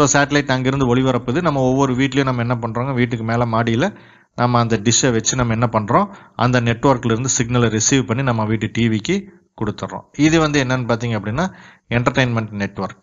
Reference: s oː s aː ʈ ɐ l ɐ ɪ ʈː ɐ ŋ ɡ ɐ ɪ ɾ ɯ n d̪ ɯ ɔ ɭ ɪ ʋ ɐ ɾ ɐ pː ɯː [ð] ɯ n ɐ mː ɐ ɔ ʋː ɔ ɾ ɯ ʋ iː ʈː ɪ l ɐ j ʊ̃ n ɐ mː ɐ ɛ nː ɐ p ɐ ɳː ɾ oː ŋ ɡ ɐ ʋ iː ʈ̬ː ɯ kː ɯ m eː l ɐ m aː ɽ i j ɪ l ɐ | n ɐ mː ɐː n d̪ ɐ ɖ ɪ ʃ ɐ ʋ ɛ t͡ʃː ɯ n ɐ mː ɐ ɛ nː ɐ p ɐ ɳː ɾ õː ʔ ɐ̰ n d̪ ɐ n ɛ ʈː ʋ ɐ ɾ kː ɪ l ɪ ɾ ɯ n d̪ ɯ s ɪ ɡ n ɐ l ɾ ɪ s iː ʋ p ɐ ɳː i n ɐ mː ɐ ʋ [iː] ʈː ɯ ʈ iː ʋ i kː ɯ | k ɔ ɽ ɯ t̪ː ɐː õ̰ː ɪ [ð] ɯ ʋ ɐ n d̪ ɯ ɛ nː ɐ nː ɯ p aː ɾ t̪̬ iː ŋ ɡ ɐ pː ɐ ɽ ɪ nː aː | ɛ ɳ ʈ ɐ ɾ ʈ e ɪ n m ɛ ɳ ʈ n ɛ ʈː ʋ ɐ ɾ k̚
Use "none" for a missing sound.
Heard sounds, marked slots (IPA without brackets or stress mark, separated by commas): ð, iː, ð